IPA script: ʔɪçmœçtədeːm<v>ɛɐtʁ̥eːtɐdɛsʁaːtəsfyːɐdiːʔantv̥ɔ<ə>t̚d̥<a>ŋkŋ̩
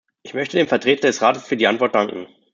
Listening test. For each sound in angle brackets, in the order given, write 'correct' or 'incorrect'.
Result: incorrect: f, incorrect: ɐ, correct

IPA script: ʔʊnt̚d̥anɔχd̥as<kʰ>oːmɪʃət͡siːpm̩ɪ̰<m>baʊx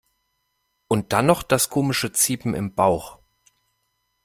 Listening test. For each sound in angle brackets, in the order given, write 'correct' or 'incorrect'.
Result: correct, correct

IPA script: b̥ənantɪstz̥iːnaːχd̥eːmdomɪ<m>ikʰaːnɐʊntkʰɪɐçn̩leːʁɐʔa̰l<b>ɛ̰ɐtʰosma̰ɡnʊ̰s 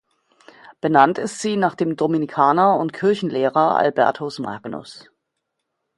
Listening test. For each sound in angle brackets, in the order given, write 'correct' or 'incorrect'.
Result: incorrect: n, correct

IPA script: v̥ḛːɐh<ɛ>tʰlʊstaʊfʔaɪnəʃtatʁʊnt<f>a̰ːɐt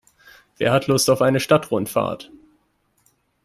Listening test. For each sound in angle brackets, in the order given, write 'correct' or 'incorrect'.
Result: incorrect: a, correct

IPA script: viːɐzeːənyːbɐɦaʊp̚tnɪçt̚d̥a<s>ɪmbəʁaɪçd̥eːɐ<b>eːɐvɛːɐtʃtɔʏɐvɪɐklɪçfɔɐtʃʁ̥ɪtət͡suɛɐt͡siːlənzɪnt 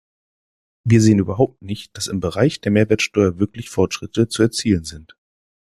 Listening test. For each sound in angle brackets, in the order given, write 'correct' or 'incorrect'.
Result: correct, incorrect: m

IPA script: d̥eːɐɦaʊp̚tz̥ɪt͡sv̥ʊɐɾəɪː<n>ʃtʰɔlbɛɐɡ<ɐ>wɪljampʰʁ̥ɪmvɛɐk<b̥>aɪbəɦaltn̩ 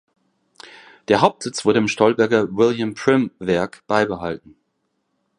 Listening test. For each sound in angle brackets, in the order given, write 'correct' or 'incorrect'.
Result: incorrect: m, correct, correct

